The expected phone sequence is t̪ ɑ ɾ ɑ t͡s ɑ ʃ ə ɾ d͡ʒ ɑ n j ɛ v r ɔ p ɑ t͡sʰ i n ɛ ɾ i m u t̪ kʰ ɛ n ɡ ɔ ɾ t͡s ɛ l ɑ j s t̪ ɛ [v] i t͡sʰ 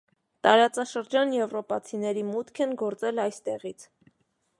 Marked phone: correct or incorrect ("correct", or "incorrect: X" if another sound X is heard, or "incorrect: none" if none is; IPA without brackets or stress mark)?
incorrect: ʁ